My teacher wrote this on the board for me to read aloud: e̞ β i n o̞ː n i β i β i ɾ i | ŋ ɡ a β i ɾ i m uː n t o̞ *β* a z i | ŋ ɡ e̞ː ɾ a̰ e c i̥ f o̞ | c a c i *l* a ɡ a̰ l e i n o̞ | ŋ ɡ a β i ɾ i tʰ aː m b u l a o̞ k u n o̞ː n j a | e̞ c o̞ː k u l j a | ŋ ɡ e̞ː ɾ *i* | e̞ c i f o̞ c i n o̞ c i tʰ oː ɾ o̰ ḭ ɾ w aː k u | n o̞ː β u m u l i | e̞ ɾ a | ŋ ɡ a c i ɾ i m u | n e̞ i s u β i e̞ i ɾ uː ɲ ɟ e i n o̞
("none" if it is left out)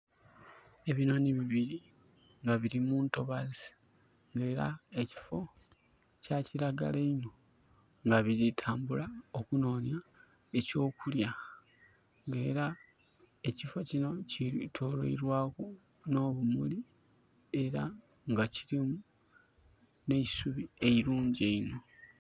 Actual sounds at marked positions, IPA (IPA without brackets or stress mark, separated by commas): β, ɾ, a